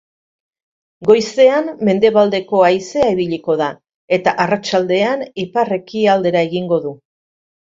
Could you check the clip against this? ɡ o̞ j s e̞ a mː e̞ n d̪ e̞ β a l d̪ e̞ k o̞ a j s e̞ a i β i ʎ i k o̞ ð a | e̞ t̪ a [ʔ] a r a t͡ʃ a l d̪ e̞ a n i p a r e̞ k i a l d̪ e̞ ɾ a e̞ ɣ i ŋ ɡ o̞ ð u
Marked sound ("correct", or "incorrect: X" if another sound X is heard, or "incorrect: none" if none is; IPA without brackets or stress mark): correct